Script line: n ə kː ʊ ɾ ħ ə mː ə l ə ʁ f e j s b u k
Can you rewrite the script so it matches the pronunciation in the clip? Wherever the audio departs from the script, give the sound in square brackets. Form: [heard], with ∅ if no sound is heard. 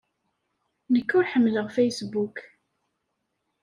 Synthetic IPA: n ə kː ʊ ɾ ħ ə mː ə l ə ʁ f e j s b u k